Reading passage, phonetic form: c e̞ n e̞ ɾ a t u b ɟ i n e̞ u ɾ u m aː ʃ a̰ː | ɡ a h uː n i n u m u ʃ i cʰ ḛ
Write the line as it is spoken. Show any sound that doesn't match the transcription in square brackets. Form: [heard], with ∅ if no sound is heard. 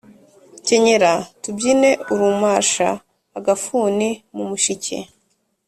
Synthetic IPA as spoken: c e̞ [ɲ] e̞ ɾ a t u b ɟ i n e̞ u ɾ u m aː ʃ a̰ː | ɡ a [f] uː n i [m] u m u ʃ i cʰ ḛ